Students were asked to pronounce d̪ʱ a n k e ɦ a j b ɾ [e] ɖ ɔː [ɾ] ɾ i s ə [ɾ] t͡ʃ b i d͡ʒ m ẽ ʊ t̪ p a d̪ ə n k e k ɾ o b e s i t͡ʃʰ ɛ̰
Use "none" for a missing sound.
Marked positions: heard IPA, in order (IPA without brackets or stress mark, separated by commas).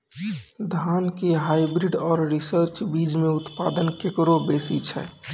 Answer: i, ɾ, ɾ